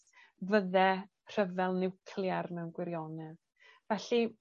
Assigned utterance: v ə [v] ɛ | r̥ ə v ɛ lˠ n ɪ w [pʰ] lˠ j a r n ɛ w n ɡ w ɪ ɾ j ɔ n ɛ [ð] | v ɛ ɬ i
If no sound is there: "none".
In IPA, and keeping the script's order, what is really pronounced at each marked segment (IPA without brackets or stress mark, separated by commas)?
ð, kʰ, ð